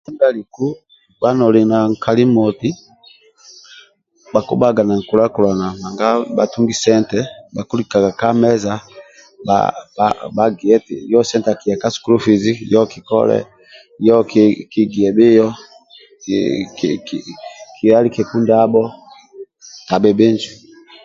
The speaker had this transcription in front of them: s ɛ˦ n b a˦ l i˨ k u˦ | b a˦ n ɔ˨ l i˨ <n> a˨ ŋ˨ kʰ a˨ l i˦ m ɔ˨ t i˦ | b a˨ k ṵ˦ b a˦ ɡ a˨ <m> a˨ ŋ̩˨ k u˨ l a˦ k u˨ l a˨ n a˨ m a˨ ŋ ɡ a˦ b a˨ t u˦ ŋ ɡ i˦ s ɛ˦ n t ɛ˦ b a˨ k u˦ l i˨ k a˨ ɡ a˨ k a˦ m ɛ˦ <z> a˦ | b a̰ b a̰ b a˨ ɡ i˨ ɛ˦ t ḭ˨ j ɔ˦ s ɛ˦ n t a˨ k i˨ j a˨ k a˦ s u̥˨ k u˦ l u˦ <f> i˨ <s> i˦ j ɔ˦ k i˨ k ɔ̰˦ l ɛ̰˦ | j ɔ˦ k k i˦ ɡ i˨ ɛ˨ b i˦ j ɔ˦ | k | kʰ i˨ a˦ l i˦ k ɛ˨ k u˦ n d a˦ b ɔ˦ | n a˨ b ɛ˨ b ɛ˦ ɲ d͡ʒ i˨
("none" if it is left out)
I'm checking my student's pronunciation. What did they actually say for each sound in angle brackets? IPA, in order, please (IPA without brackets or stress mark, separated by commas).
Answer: n, n, z, f, z